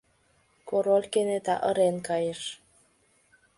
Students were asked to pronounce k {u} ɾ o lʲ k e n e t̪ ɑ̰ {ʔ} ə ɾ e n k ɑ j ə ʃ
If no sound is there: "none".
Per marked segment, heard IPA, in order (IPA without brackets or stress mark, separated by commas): o, ʔ